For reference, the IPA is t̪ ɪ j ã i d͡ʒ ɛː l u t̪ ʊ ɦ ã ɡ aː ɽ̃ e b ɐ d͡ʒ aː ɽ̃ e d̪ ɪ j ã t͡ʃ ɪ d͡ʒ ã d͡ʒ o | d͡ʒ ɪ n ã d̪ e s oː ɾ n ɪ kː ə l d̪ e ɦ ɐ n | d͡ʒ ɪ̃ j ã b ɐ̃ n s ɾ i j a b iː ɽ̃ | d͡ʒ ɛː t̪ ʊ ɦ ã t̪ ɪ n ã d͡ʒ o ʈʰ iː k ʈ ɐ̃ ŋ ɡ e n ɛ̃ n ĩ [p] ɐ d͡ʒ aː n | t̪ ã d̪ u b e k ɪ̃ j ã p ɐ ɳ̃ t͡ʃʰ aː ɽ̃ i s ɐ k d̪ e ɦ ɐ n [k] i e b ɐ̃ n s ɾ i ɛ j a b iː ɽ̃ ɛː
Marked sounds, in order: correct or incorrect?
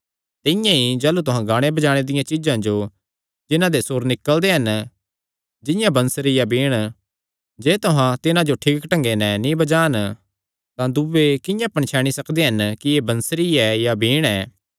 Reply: incorrect: b, correct

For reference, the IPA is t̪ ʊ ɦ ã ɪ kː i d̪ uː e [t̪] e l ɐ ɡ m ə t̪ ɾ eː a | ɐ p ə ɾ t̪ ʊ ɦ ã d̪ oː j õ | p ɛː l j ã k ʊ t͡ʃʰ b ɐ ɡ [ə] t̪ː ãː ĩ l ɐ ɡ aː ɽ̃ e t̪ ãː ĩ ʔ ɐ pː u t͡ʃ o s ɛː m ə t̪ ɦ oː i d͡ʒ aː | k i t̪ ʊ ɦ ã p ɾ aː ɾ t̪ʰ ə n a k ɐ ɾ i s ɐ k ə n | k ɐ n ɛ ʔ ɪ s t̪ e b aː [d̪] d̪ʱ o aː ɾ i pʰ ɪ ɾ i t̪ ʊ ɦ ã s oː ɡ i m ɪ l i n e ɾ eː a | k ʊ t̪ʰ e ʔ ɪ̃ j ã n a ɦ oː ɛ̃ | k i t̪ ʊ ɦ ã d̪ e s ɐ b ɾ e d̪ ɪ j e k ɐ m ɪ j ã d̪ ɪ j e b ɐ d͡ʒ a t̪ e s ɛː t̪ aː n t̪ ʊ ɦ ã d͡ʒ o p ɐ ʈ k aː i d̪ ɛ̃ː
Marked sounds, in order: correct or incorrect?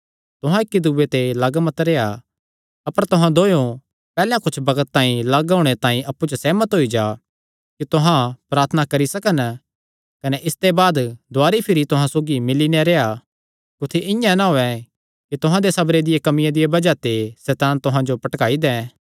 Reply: correct, correct, correct

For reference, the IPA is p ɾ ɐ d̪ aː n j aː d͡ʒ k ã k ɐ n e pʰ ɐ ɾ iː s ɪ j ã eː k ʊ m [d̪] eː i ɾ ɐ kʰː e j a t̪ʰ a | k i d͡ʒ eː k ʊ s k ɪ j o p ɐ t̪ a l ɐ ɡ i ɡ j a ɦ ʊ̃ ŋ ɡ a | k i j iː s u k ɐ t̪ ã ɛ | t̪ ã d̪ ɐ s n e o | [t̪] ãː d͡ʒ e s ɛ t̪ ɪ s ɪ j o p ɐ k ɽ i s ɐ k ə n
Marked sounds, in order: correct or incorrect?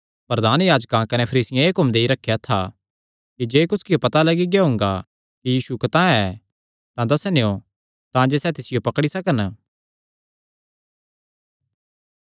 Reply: correct, correct

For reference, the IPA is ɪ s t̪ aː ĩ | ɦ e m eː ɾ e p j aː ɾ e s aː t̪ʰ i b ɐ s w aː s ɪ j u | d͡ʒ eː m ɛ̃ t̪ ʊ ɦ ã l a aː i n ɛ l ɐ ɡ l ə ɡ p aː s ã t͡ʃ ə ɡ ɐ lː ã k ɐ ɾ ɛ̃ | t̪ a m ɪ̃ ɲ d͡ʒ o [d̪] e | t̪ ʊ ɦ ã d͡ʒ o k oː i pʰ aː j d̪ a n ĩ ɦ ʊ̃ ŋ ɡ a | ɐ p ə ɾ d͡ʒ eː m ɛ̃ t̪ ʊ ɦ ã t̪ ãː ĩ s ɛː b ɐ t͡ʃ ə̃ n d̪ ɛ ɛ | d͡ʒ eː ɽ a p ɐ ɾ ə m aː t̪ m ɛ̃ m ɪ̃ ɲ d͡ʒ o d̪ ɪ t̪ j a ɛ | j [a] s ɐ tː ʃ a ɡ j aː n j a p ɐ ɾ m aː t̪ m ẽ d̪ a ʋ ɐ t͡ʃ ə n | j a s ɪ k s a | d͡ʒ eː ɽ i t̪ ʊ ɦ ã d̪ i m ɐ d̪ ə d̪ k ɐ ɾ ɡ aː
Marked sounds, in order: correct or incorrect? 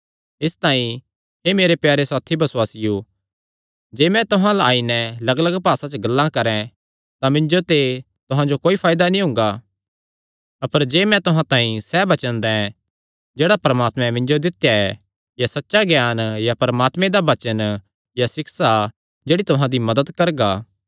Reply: incorrect: t̪, correct

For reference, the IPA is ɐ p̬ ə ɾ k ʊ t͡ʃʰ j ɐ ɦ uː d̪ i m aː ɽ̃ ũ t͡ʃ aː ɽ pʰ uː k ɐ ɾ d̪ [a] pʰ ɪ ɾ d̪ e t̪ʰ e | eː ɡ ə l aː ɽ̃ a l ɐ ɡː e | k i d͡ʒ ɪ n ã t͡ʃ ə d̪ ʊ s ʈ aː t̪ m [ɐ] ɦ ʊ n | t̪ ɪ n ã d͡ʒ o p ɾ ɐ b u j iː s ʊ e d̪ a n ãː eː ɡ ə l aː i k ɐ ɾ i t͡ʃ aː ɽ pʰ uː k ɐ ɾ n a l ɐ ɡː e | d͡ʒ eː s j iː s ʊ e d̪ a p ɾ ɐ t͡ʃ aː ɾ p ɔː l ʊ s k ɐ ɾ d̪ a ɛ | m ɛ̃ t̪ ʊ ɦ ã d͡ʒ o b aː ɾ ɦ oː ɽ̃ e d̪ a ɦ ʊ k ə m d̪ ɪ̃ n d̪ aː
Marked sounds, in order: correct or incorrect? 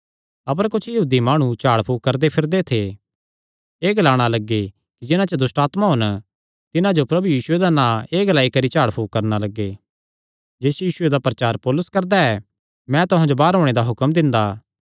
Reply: incorrect: e, incorrect: a

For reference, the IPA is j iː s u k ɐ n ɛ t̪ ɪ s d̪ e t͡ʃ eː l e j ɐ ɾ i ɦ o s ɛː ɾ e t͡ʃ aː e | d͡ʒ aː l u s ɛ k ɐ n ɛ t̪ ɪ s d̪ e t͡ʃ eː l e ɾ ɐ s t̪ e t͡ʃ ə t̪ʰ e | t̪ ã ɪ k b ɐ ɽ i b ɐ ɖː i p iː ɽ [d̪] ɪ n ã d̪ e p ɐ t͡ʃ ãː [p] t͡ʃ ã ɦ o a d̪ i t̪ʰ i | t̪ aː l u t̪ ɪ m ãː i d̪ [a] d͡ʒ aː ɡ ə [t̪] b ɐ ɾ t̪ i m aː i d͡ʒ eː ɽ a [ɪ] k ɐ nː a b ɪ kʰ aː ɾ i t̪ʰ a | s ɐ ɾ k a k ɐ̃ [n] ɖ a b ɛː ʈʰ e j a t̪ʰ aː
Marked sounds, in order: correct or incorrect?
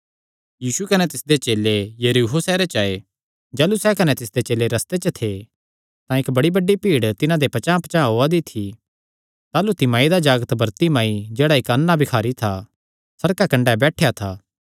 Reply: incorrect: t̪, correct, correct, correct, correct, incorrect: ɳ

